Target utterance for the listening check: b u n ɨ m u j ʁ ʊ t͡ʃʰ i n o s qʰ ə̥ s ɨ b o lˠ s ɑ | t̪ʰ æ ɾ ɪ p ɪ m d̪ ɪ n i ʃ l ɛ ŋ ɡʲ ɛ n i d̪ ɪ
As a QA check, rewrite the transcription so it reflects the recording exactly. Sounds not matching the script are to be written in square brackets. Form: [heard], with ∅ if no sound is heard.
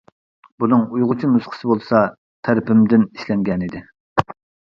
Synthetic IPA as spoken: b u n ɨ [ŋ] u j ʁ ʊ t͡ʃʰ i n [u] s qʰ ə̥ s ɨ b o lˠ s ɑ | t̪ʰ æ ɾ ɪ p ɪ m d̪ ɪ n i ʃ l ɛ ŋ ɡʲ ɛ n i d̪ ɪ